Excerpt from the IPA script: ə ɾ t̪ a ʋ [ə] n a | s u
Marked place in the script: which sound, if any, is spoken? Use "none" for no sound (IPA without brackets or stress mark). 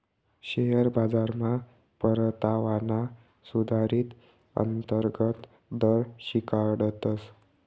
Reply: a